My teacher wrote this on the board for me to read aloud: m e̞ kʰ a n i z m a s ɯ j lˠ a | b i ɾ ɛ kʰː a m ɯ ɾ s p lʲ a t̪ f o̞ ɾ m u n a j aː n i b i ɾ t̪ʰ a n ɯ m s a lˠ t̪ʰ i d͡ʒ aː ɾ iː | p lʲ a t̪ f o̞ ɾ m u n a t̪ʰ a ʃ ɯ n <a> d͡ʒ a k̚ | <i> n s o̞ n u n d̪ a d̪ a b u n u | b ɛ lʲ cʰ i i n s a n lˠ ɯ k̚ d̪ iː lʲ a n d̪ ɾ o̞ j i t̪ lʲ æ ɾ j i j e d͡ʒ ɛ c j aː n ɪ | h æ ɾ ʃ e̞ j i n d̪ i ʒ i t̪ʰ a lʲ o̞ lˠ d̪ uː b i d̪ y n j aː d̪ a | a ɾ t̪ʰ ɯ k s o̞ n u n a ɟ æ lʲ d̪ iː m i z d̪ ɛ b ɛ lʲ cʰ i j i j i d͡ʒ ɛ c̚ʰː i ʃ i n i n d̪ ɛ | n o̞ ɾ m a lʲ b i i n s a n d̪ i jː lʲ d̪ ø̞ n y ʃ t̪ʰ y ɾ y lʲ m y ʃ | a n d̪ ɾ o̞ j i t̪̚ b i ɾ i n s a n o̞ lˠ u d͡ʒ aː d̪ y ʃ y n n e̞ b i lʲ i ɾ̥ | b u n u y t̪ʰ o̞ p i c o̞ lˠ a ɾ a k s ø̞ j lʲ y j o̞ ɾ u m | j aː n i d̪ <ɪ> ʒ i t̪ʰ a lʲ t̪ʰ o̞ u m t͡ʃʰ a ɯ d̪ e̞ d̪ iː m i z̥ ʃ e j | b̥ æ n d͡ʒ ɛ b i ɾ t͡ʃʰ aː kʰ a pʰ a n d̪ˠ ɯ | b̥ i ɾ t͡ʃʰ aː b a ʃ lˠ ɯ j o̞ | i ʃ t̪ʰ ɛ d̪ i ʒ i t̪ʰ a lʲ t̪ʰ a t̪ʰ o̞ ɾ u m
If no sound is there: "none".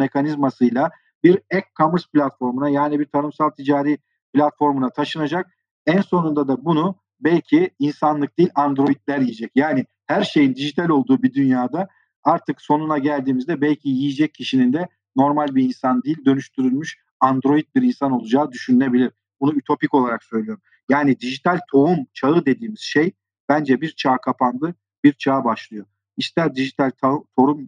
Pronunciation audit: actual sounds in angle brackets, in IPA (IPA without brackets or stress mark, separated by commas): a, æ, i